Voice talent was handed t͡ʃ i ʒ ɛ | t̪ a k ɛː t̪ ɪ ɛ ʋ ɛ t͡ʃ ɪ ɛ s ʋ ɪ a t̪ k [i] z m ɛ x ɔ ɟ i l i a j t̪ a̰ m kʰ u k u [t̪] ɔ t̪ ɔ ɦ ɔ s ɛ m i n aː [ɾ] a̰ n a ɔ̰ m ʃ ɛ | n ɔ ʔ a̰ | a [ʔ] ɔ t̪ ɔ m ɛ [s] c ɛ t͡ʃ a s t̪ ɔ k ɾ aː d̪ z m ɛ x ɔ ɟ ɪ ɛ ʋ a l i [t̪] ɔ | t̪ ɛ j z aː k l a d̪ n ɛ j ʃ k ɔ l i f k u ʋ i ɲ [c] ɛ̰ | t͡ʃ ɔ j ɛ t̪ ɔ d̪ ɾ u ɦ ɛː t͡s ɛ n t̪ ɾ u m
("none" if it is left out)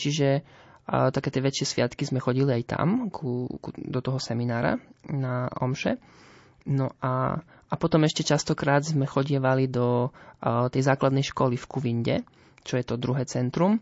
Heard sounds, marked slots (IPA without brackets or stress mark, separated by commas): i, d̪, ɾ, p, ʃ, d̪, ɟ